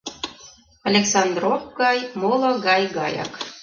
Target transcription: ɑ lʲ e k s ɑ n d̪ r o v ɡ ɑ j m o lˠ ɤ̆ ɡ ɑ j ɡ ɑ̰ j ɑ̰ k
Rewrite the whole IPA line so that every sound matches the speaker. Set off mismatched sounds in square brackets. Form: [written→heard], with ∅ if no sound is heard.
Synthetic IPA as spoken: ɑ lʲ e k s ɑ n d̪ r o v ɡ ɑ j m o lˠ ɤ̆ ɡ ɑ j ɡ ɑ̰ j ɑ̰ k